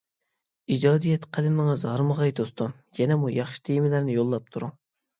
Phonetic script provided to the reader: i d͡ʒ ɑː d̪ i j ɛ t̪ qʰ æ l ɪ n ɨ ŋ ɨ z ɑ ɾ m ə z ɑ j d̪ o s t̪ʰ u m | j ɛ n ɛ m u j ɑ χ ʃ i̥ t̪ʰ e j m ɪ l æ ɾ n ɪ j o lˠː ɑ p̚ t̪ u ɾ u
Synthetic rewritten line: i d͡ʒ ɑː d̪ i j ɛ t̪ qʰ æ l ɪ m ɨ ŋ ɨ z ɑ ɾ m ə ʁ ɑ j d̪ o s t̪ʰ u m | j ɛ n ɛ m u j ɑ χ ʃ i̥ t̪ʰ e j m ɪ l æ ɾ n ɪ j o lˠː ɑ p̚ t̪ʰ u ɾ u